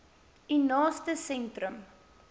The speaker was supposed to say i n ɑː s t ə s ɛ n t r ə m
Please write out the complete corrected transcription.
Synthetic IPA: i n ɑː s t ə s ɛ n t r ə m